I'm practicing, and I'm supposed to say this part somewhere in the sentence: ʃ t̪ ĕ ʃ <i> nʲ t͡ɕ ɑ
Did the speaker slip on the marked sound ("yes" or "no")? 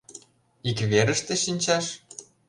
no